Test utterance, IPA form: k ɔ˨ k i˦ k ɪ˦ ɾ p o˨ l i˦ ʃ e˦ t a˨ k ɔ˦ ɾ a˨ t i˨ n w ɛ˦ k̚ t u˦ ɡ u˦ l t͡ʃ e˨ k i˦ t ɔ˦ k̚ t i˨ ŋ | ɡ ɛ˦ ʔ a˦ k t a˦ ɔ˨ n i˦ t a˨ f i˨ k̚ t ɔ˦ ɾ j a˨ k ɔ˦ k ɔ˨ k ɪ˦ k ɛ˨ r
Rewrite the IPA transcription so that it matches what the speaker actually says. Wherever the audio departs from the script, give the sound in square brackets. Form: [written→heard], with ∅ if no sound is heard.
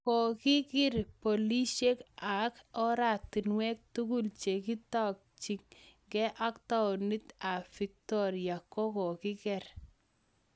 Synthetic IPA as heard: k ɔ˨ k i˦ k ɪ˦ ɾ p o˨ l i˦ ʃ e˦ [t→k] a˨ k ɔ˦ ɾ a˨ t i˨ n w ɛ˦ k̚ t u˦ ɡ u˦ l t͡ʃ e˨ k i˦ t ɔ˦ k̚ [t→t͡ʃ] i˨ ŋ | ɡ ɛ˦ ʔ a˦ k t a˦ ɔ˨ n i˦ t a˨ f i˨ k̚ t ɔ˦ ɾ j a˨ k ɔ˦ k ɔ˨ k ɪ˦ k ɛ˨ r